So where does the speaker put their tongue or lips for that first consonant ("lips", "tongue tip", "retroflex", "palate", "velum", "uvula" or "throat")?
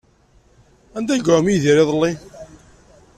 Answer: tongue tip